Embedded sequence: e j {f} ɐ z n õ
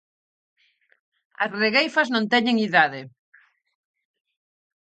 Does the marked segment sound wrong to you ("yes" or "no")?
no